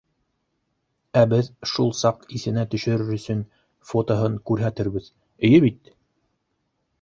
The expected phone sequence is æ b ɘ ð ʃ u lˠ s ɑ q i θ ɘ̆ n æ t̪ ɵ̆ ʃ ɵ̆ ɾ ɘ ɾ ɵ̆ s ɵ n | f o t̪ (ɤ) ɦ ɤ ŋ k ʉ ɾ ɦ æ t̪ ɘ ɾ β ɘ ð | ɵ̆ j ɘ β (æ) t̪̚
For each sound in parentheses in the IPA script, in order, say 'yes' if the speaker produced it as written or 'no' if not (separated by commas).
no, no